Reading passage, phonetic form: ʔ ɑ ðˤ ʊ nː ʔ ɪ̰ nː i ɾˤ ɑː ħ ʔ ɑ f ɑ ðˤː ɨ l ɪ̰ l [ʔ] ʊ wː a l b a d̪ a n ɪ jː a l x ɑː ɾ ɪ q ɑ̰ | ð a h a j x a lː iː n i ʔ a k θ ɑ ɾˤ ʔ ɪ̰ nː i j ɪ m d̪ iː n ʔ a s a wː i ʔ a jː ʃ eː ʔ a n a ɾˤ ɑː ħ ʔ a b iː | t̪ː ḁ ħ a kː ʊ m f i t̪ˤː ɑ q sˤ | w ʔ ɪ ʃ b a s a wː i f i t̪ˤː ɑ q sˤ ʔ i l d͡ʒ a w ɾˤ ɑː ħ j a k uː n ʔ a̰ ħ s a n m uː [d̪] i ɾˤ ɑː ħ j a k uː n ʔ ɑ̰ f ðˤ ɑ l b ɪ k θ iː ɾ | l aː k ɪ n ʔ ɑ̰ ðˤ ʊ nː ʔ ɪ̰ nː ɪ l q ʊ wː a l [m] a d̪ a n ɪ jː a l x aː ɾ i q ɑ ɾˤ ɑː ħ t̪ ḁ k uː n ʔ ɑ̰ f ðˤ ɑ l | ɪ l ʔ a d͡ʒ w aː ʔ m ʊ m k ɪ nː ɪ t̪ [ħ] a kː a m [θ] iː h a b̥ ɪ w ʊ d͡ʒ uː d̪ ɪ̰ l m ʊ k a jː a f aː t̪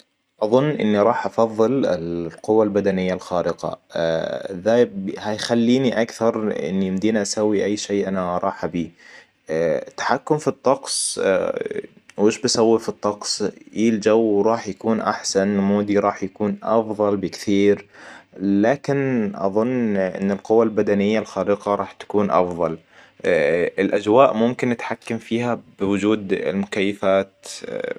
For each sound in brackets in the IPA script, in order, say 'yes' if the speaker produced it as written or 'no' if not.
no, yes, no, yes, no

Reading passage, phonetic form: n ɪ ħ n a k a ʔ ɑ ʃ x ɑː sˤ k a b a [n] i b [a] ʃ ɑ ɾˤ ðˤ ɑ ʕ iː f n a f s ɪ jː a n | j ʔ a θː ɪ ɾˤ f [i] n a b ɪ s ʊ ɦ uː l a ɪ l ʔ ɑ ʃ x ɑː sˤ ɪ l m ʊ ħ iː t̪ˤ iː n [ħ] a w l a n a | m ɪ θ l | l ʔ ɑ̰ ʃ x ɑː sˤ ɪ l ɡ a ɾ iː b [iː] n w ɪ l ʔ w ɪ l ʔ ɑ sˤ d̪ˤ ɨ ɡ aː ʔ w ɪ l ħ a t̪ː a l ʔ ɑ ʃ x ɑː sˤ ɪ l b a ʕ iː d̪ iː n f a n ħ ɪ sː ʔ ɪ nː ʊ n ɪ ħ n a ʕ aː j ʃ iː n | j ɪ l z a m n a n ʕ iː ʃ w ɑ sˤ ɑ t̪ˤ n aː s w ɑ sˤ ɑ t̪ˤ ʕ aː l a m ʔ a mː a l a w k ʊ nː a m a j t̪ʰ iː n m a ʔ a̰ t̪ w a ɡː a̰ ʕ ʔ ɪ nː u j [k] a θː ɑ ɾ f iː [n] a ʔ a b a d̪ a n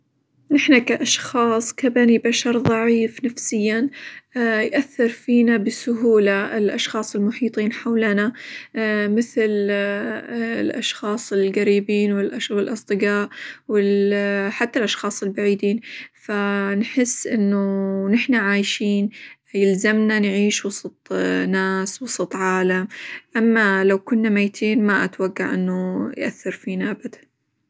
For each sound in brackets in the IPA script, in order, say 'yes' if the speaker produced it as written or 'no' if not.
yes, yes, no, yes, yes, no, yes

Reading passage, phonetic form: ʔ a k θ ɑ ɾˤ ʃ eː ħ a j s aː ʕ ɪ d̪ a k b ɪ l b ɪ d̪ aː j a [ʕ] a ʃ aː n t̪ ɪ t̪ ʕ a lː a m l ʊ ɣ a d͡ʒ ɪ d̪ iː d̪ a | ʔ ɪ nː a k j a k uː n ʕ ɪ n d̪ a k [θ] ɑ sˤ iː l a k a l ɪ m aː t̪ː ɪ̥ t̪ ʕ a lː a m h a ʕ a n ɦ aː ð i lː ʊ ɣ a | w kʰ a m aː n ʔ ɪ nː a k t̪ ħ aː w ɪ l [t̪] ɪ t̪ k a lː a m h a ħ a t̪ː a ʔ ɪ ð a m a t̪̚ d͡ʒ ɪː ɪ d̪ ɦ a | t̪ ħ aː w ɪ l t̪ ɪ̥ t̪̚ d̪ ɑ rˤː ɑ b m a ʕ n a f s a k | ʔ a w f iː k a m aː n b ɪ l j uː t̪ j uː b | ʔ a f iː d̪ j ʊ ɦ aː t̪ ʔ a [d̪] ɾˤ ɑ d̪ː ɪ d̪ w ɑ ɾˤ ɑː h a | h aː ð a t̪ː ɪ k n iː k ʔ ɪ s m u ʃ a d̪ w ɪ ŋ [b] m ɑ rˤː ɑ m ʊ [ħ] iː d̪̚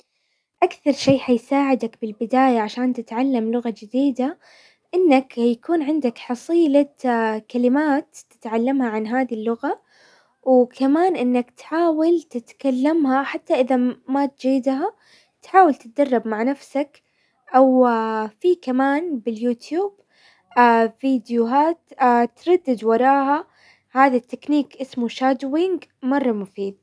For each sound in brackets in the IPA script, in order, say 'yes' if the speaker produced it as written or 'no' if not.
yes, no, yes, no, no, no

